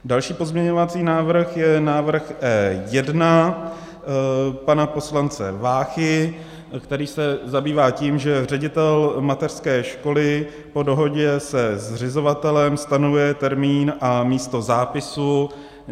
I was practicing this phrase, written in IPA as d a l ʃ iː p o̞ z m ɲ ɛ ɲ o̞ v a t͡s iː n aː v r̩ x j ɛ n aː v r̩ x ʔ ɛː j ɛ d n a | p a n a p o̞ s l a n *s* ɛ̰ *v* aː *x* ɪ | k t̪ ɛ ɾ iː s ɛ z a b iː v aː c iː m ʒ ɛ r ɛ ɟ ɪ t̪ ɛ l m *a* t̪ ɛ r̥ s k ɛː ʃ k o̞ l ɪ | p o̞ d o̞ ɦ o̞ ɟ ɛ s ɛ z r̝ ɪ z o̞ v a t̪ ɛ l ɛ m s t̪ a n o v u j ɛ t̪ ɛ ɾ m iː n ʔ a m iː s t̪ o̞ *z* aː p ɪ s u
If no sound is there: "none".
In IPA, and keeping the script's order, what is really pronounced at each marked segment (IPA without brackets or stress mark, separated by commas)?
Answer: t͡s, v, x, a, z